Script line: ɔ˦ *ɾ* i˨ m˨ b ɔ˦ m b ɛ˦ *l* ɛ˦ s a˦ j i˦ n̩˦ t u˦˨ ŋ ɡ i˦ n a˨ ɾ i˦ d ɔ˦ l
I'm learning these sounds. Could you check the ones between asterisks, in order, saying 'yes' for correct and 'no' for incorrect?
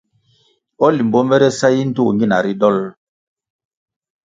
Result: no, no

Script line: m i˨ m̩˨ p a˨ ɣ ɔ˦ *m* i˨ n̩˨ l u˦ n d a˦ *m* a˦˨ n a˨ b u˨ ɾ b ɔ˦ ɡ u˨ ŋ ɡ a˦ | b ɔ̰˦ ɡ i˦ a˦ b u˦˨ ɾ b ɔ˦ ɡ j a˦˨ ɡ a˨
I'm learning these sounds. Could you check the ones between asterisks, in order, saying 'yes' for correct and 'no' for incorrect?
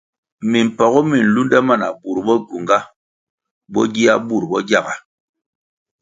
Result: yes, yes

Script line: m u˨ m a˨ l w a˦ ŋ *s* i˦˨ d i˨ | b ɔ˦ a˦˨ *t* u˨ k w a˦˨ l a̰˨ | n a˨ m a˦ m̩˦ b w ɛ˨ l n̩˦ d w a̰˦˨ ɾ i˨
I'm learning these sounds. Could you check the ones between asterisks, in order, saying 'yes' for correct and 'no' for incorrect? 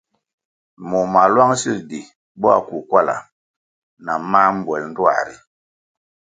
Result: yes, no

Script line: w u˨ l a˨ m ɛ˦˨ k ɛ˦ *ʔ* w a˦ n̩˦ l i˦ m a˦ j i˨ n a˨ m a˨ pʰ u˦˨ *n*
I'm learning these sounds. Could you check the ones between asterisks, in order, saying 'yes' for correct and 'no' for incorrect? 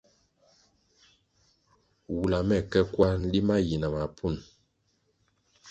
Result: no, yes

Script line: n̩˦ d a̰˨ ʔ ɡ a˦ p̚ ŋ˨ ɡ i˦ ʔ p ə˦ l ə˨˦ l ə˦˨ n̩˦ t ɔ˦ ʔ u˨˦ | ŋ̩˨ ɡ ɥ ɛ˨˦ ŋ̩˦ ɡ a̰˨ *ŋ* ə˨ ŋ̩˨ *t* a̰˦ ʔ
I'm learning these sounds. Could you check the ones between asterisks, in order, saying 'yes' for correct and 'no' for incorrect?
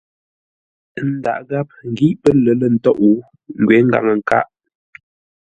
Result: yes, no

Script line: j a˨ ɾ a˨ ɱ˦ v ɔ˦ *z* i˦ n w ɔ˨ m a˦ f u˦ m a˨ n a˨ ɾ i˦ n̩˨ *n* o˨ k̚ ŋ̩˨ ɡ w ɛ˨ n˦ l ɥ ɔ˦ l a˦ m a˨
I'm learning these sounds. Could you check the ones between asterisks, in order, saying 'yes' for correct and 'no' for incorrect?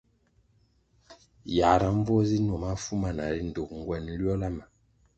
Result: yes, no

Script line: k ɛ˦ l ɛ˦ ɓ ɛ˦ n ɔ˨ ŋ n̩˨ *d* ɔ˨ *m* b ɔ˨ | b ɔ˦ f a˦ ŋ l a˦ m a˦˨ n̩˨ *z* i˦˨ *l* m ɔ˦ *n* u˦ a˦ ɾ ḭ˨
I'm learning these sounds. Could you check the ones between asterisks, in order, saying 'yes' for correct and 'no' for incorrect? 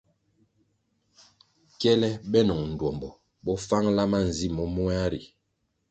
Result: yes, yes, yes, no, no

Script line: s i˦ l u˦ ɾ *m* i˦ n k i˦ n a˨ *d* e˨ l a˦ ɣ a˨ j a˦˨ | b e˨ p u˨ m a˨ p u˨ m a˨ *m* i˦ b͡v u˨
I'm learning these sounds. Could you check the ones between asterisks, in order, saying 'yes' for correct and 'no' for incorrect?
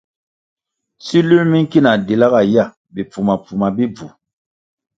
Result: yes, yes, no

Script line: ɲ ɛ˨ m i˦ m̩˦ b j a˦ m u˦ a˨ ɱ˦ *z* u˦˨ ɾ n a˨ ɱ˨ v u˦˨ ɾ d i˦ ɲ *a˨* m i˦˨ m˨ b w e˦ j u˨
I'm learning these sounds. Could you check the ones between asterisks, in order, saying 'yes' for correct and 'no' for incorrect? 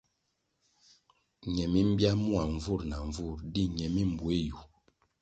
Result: no, no

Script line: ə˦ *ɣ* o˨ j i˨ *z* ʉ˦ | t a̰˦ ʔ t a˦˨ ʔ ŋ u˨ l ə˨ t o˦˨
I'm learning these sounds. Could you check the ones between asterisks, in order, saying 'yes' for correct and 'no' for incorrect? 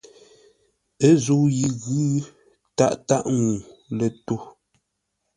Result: no, no

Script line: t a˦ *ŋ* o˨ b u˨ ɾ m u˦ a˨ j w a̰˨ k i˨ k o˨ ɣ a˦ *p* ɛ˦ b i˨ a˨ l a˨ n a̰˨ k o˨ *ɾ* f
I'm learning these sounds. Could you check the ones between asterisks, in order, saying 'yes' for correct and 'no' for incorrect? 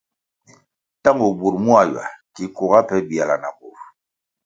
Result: yes, yes, no

